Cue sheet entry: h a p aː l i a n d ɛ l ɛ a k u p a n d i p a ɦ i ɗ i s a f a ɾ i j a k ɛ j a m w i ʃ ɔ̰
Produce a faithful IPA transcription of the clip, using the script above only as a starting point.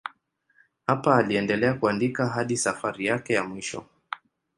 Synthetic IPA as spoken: h a p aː l i ɛ n d ɛ l ɛ a k u a n d i k a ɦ a ɗ i s a f a ɾ i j a k ɛ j a m w i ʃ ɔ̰